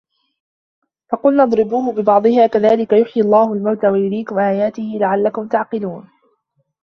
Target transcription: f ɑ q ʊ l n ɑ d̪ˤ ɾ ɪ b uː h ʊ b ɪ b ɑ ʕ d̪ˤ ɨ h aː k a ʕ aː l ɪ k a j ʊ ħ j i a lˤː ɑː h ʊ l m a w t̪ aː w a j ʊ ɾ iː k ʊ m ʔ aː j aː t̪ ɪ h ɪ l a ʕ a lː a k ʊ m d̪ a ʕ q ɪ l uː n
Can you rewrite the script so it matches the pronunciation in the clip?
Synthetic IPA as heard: f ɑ q ʊ l n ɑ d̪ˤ ɾ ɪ b uː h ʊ b ɪ b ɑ ʕ d̪ˤ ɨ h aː k a ð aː l ɪ k a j ʊ ħ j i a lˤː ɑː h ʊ l m a w t̪ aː w a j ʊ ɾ iː k ʊ m ʔ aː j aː t̪ ɪ h ɪ l a ʕ a lː a k ʊ m t̪ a ʕ q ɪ l uː n